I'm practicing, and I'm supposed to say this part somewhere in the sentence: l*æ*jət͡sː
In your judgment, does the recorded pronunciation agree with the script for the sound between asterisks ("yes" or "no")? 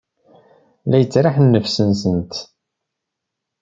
yes